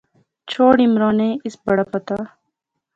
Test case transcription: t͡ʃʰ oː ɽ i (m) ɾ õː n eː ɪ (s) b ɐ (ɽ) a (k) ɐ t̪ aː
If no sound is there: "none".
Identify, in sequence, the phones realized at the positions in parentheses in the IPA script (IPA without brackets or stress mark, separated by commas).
m, s, ɽ, p